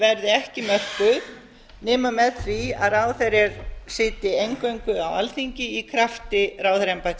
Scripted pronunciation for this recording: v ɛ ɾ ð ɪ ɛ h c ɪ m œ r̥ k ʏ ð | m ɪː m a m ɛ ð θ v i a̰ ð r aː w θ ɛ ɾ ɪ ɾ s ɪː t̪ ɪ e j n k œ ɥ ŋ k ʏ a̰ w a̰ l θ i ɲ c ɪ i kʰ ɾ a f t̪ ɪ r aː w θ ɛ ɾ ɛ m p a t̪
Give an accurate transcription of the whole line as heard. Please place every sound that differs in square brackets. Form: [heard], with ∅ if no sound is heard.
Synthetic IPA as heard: v ɛ ɾ ð ɪ ɛ h c ɪ m œ r̥ k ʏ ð | [n] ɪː m a m ɛ ð θ v i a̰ ð r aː w θ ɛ ɾ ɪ ɾ s ɪː t̪ ɪ e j [ŋ] k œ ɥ ŋ k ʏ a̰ w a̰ l θ i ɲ c ɪ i kʰ ɾ a f t̪ ɪ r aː w θ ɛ ɾ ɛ m p a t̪

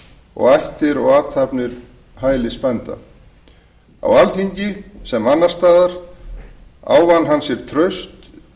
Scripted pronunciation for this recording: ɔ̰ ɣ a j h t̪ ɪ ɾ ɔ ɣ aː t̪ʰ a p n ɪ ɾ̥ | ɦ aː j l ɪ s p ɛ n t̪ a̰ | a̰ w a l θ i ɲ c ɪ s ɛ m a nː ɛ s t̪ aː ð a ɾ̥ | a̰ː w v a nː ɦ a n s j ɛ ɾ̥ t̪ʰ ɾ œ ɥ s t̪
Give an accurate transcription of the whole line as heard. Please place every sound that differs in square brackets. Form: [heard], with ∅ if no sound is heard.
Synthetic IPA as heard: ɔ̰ ɣ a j h t̪ ɪ ɾ ɔ ɣ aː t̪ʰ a p n ɪ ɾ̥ | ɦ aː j l ɪ s p ɛ n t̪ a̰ | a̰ w a l θ i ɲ c ɪ s ɛ m a nː [a] s t̪ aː ð a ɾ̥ | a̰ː w v a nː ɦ a n s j ɛ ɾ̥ t̪ʰ ɾ œ ɥ s t̪

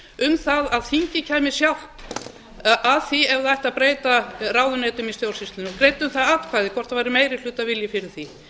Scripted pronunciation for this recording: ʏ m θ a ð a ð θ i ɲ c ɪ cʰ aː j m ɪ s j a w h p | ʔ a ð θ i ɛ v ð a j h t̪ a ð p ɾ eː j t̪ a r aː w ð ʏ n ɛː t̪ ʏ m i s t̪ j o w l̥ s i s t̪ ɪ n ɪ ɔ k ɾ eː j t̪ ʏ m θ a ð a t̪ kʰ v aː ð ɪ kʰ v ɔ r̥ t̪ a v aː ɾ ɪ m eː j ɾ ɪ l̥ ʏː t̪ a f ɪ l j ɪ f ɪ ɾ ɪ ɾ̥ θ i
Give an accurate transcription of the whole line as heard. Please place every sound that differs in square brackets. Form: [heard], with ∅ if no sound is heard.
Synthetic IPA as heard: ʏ m θ a ð a ð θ i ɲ c ɪ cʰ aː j m ɪ s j a w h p | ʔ a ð θ i ɛ v ð a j h t̪ a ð p ɾ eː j t̪ a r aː w ð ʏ n ɛː t̪ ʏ m i s t̪ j o w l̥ s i s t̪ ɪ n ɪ ɔ k ɾ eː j t̪ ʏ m θ a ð a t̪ kʰ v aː ð ɪ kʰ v ɔ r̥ t̪ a v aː ɾ ɪ m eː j ɾ ɪ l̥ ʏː t̪ a [v] ɪ l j ɪ f ɪ ɾ ɪ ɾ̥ θ i

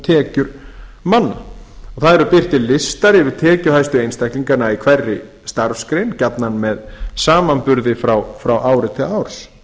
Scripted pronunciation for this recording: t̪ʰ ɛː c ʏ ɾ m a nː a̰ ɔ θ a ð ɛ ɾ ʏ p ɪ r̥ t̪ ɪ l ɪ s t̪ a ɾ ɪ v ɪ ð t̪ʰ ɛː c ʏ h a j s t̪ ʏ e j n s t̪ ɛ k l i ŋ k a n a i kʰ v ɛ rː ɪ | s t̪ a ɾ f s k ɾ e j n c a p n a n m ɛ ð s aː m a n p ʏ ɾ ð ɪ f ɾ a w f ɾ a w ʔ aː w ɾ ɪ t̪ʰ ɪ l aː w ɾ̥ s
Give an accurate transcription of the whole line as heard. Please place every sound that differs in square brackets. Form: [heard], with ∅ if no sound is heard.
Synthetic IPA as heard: t̪ʰ ɛː c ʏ ɾ m a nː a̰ ɔ θ a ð ɛ ɾ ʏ p ɪ r̥ t̪ ɪ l ɪ s t̪ a ɾ ɪ v ɪ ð t̪ʰ ɛː c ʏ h a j s t̪ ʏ e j n s t̪ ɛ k l i ŋ k a n a i kʰ v ɛ rː ɪ | s t̪ a ɾ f s k ɾ e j n c a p n a n m ɛ ð s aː m a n p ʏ ɾ ð ɪ f ɾ a w f ɾ a w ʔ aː w ɾ ɪ t̪ʰ ɪ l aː w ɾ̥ s

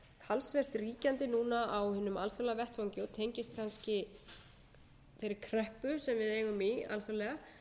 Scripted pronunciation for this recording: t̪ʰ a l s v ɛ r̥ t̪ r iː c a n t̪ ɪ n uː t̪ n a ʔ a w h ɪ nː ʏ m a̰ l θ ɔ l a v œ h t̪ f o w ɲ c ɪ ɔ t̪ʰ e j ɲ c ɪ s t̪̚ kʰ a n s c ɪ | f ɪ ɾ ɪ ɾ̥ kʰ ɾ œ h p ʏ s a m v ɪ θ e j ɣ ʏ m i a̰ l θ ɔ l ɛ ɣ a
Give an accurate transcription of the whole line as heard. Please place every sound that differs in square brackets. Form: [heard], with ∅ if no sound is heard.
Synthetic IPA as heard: t̪ʰ a l s v ɛ r̥ t̪ r iː c a n t̪ ɪ n uː [∅] n a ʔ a w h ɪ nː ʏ m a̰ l θ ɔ l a v [ɛ] h t̪ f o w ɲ c ɪ ɔ t̪ʰ e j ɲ c ɪ s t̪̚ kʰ a n s c ɪ | f ɪ ɾ ɪ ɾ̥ kʰ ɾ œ h p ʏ s [ɛ] m v ɪ [ð] e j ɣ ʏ m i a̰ l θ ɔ l ɛ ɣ a

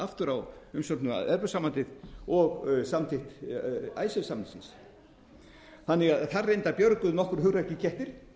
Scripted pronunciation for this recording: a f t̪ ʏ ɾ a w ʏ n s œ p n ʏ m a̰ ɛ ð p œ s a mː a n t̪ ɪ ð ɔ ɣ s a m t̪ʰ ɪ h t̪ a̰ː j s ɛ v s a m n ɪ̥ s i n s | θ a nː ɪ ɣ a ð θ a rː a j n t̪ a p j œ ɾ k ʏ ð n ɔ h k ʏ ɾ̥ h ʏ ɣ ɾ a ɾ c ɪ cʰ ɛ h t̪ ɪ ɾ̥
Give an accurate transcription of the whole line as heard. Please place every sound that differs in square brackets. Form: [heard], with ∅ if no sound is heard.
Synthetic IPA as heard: a f t̪ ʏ ɾ a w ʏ [m] s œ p n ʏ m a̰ ɛ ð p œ s a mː a n t̪ ɪ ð ɔ ɣ s a m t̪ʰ ɪ h t̪ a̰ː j s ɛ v s a m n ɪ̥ s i n s | θ a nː ɪ ɣ a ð θ a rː [e] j n t̪ a p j œ ɾ k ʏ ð n ɔ h k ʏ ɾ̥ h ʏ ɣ ɾ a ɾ c ɪ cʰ ɛ h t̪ ɪ ɾ̥

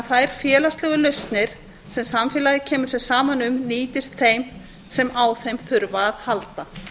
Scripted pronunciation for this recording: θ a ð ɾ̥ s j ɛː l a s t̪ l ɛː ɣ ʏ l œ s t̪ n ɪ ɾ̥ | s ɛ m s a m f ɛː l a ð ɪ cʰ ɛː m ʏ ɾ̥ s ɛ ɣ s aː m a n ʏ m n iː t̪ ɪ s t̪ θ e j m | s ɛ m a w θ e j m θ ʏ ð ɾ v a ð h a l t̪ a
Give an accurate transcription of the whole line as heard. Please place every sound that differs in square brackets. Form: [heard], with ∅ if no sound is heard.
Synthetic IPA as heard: θ a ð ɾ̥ [f] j ɛː l a s t̪ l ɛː ɣ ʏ l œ s t̪ n ɪ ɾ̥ | s ɛ m s a m f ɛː l a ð ɪ cʰ ɛː m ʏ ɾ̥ s ɛ ɣ s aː m a n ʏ m n iː t̪ ɪ s t̪ θ e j m | s ɛ m a w θ e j m θ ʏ [∅] ɾ v a ð h a l t̪ a

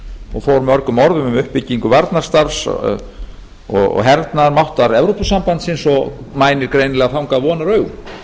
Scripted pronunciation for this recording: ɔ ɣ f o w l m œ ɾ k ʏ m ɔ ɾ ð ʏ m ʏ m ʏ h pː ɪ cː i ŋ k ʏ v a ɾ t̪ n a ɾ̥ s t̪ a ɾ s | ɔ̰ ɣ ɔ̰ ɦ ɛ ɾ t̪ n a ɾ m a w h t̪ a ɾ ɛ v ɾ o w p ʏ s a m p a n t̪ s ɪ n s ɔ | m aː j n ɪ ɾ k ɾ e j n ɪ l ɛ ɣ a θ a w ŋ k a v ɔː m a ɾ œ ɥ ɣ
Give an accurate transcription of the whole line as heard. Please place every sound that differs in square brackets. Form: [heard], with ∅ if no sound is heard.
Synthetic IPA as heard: ɔ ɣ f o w [ɾ] m œ ɾ k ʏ m ɔ ɾ ð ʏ m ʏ m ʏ h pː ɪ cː i ŋ k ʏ v a ɾ t̪ n a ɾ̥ s t̪ a ɾ s | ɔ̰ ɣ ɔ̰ ɦ ɛ ɾ t̪ n a ɾ m a w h t̪ a ɾ ɛ v ɾ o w p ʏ s a m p a n t̪ s ɪ n s ɔ | m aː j n ɪ ɾ k ɾ e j n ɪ l ɛ ɣ a θ a w ŋ k a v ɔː [n] a ɾ œ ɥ ɣ

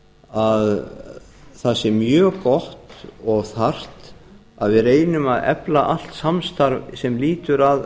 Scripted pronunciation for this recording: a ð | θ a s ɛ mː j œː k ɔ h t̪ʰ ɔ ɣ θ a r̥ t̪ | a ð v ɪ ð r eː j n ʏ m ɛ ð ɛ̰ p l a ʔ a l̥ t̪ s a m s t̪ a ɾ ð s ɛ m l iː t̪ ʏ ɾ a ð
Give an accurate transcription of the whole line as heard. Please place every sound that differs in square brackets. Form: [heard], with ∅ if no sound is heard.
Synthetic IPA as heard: a ð | θ a s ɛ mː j œː k ɔ h [t̪] ɔ ɣ θ a r̥ t̪ | a ð v ɪ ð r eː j n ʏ m [a] ð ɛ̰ p l a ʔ a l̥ t̪ s a m s t̪ a ɾ [v] s ɛ m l iː t̪ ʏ ɾ a ð

